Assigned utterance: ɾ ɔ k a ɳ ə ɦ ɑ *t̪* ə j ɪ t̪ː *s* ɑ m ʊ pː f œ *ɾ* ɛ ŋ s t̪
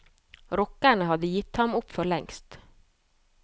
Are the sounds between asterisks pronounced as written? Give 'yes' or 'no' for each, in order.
no, no, no

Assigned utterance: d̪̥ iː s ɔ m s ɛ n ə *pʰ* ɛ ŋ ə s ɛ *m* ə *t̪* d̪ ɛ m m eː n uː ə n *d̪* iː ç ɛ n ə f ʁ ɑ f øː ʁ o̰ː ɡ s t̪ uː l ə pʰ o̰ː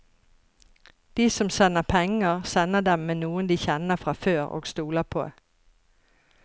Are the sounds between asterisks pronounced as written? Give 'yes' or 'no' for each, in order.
yes, no, no, yes

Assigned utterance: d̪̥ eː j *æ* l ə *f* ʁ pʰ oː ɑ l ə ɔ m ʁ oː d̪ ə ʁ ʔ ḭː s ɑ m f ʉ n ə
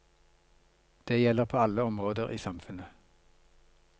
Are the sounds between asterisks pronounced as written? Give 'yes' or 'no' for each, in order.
no, no

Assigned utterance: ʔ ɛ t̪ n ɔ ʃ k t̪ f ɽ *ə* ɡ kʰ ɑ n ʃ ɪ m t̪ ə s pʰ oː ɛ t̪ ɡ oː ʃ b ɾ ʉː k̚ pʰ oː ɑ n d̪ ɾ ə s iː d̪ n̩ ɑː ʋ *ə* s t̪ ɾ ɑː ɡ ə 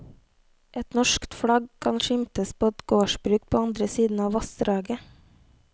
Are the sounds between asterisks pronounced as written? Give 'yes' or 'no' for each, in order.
no, no

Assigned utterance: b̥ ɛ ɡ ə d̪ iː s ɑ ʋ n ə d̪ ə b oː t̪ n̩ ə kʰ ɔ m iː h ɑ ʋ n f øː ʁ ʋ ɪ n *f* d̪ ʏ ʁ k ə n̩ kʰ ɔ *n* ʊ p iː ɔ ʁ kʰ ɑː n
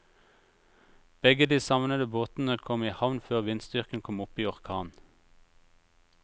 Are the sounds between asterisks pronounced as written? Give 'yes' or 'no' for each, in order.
no, no

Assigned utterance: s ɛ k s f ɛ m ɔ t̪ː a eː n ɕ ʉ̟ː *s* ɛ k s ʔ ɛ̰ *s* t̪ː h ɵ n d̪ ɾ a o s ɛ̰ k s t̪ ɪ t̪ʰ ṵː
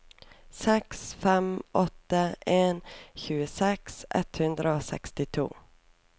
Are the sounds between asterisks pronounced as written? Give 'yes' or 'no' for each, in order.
yes, no

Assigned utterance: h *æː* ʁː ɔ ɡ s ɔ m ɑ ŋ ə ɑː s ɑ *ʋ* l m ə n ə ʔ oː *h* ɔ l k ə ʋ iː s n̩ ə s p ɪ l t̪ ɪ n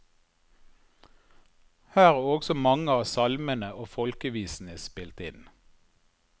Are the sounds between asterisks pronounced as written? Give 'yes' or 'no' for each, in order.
yes, no, no

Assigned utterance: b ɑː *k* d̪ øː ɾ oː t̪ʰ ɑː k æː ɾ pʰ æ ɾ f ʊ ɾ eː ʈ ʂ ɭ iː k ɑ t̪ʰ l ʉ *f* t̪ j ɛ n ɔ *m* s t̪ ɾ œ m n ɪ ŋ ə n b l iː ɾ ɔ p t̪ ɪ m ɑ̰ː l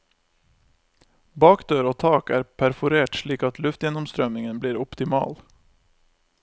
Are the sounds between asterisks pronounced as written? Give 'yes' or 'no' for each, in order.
yes, yes, yes

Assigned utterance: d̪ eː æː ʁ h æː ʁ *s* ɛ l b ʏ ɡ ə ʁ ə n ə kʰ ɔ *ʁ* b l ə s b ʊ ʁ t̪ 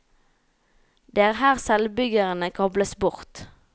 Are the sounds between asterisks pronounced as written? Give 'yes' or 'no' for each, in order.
yes, no

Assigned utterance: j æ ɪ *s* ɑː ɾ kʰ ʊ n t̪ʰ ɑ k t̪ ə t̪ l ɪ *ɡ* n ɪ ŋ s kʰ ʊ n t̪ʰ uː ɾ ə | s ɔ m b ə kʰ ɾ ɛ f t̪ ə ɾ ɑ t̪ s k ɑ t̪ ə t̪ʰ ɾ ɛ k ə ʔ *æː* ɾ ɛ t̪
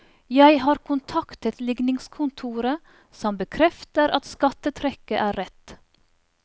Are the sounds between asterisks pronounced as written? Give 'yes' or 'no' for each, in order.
no, yes, yes

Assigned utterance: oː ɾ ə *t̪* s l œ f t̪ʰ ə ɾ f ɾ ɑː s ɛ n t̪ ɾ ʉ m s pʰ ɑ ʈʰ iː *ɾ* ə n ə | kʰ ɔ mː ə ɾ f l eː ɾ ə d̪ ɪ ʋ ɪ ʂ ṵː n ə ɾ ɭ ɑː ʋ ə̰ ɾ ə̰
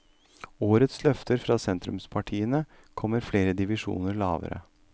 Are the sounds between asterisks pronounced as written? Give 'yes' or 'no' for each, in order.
yes, no

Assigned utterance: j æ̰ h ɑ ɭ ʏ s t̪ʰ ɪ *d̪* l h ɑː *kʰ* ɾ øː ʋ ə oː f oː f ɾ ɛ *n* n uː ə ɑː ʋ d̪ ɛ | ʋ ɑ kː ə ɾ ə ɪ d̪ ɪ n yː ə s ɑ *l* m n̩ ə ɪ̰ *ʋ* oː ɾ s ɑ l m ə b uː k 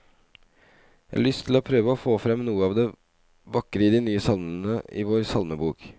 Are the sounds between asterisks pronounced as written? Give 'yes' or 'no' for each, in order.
no, no, no, yes, yes

